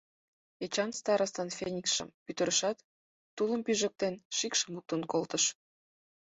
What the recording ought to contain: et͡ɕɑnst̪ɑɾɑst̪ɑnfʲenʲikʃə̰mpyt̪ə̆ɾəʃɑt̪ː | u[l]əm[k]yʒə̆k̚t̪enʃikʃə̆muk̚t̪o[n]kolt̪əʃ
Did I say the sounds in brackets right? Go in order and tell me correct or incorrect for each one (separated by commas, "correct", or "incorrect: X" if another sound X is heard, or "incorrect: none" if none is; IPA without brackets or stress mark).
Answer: correct, incorrect: p, correct